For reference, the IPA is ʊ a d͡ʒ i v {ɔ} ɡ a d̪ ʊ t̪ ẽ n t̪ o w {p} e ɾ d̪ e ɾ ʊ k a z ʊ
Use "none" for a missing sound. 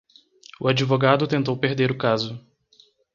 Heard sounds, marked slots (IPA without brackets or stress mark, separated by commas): o, p